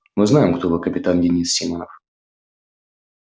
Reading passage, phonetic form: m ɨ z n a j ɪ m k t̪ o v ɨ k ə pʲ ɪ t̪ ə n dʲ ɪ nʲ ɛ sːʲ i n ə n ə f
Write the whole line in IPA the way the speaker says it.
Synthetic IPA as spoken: m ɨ z n a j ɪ m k t̪ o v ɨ k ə pʲ ɪ t̪ a n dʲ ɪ nʲ i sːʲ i m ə n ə f